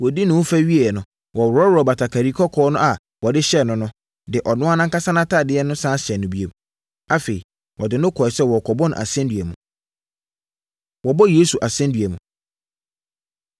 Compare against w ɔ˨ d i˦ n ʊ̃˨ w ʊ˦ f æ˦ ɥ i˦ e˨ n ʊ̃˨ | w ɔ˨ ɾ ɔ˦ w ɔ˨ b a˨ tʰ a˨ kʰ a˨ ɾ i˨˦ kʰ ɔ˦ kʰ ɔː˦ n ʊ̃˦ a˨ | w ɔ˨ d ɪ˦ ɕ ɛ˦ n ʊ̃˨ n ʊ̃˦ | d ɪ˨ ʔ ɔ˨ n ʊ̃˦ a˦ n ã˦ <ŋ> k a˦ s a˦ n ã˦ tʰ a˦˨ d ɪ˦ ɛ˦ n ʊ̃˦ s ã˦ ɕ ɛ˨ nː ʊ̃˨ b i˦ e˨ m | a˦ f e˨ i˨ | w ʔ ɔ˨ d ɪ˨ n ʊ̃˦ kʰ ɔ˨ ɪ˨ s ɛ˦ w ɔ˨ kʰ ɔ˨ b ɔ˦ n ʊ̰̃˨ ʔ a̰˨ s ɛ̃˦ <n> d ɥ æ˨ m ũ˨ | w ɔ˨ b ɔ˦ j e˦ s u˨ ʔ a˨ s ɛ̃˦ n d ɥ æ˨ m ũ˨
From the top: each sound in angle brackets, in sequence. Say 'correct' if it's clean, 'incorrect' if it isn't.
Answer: correct, correct

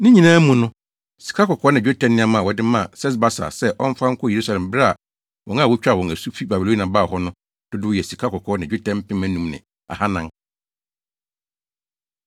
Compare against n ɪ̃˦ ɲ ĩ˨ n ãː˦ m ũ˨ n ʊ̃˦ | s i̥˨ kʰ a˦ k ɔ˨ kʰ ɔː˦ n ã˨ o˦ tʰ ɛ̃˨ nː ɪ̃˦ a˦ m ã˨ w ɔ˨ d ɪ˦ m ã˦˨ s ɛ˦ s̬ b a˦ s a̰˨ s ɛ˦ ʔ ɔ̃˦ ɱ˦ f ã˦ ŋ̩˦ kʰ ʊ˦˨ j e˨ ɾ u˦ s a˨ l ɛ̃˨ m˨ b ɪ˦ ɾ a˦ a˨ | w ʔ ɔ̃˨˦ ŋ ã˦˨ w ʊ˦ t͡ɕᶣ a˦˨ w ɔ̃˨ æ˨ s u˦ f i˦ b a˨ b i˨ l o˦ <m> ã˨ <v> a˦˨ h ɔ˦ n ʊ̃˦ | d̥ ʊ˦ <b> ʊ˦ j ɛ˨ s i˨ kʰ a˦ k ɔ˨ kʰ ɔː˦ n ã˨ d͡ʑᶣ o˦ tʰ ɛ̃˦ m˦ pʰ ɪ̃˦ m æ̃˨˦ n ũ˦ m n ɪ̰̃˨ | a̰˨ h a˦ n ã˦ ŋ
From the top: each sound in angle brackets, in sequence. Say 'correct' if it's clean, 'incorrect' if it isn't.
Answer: incorrect: n, incorrect: b, incorrect: d

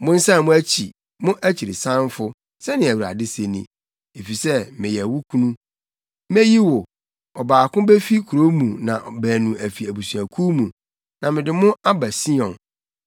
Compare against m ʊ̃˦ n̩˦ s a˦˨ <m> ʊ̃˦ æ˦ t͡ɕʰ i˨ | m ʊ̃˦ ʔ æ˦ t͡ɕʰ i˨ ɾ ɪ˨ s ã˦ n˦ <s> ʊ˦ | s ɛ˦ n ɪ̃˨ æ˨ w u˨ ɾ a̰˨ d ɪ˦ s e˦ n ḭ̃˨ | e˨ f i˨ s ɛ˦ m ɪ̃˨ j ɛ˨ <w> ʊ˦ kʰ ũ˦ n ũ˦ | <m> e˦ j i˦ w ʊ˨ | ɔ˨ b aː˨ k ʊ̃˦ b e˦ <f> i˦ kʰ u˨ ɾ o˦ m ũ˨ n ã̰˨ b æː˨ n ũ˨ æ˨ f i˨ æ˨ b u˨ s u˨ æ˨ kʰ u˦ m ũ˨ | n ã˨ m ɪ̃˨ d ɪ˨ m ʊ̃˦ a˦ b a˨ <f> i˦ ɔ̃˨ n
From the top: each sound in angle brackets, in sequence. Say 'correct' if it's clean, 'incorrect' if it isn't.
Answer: correct, incorrect: f, correct, correct, correct, incorrect: s

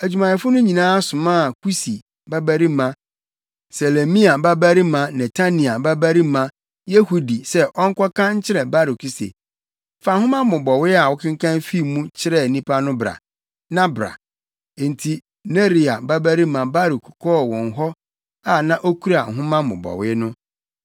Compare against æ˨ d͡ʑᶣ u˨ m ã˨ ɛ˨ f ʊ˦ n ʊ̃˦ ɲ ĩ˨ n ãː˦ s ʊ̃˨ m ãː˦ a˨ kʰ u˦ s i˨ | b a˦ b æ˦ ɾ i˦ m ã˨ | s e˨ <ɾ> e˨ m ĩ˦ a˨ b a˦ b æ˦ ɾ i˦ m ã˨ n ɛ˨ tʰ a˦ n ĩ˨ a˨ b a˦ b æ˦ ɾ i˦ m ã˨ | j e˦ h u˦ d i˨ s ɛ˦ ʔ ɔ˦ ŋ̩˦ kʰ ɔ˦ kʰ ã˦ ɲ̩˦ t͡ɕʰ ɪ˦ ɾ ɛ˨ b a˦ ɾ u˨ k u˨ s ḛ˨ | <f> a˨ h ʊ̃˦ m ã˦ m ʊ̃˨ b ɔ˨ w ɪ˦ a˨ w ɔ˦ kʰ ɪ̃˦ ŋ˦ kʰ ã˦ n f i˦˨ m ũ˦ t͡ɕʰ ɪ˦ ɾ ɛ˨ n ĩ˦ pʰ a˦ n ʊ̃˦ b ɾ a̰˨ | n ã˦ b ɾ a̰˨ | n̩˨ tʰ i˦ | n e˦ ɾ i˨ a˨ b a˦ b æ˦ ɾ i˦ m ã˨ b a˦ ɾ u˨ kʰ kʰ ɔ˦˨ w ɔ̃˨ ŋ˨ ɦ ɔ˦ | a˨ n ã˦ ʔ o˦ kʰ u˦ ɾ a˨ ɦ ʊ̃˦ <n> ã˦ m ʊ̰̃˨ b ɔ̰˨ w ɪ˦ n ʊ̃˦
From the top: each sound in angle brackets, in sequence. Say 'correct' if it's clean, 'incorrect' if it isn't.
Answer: incorrect: l, correct, incorrect: m

